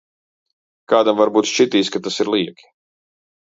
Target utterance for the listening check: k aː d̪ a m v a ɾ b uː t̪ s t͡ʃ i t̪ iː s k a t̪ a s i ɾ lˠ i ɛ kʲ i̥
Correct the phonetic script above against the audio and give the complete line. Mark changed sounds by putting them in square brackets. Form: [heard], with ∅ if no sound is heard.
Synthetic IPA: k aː d̪ a m v a ɾ b uː t̪ [ʃ] t͡ʃ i t̪ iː s k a t̪ a s i ɾ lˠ i ɛ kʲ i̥